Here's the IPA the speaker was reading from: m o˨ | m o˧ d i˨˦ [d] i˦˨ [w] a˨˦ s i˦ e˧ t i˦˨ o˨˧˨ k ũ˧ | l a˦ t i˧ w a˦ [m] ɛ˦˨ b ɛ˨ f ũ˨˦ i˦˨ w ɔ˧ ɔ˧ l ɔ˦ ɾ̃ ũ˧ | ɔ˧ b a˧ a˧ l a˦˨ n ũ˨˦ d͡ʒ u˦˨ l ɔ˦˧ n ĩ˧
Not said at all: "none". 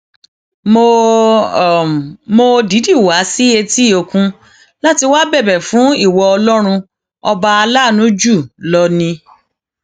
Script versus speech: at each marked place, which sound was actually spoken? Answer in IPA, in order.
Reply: d, w, b

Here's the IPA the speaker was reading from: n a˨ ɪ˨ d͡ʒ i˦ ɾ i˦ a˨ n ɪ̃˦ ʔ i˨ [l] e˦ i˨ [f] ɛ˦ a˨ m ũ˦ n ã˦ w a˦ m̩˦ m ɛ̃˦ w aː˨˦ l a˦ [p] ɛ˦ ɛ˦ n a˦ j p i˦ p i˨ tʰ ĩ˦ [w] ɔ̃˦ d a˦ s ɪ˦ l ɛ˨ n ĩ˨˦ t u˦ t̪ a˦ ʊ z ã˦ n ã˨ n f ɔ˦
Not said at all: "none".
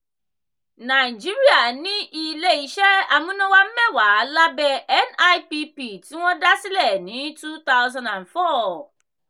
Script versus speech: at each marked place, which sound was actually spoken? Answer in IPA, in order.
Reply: l, ʃ, b, w

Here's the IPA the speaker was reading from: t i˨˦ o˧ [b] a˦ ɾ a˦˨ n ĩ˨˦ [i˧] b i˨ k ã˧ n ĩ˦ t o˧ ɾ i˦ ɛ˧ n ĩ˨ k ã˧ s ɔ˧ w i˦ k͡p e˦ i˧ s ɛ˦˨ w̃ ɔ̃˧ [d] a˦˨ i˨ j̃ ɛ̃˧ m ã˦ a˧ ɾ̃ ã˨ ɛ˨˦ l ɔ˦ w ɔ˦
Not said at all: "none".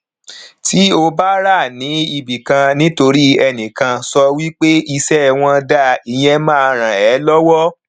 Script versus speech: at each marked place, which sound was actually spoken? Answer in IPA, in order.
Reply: b, i˧, d

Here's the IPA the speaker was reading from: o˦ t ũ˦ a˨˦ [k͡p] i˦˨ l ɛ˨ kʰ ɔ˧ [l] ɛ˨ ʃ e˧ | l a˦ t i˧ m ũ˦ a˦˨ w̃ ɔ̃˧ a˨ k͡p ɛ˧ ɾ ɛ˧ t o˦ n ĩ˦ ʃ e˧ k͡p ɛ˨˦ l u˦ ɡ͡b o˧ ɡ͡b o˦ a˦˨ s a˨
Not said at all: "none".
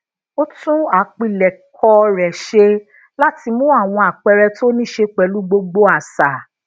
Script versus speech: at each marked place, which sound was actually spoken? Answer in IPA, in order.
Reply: k͡p, ɾ

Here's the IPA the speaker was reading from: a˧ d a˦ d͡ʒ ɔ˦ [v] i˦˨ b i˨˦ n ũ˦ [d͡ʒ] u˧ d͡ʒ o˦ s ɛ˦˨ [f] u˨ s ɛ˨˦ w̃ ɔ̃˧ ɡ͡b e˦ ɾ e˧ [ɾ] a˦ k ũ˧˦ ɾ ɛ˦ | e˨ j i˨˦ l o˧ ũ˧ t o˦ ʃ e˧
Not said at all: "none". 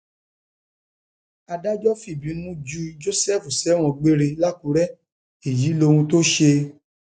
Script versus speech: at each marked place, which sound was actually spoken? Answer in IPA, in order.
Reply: f, d͡ʒ, f, l

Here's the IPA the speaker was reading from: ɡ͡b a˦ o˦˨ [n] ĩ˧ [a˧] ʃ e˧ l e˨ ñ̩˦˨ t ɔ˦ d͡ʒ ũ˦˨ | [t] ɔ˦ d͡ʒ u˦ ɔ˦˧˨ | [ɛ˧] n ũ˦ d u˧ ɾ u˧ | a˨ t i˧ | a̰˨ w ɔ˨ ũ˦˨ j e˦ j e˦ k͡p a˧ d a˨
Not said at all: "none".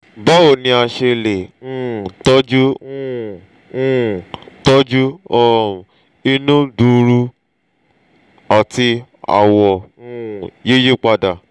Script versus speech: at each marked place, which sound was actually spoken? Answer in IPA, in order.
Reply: n, a˧, t, i˧

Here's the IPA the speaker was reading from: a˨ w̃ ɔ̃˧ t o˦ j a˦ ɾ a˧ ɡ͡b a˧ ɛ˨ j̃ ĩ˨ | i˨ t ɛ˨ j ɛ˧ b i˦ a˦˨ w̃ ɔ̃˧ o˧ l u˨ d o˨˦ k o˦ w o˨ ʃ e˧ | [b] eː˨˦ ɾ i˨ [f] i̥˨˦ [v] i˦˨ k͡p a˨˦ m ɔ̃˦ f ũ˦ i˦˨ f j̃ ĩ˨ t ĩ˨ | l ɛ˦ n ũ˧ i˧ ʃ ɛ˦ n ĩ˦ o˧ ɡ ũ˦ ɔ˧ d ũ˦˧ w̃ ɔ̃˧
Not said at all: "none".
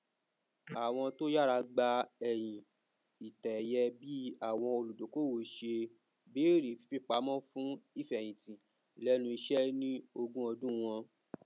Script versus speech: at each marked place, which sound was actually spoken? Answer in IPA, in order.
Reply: b, f, f

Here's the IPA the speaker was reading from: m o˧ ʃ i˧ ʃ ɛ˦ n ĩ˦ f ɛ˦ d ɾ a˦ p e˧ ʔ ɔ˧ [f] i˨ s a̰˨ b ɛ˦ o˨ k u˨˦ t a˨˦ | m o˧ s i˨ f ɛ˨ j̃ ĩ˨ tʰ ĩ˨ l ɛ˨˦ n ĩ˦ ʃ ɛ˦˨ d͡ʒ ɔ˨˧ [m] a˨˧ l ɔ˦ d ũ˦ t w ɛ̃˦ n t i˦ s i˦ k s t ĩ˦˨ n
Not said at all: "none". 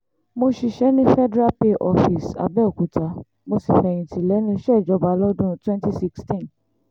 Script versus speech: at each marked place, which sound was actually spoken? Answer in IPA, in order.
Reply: f, b

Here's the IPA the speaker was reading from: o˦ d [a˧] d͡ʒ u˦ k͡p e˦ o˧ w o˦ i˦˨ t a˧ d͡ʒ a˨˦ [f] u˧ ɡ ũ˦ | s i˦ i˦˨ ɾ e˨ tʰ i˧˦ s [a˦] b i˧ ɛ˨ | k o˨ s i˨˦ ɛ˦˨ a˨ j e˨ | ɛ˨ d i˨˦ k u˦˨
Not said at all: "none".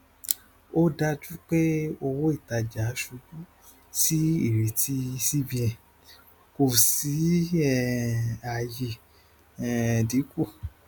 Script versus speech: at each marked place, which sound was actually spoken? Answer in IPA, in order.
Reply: a˧, ʃ, i˦

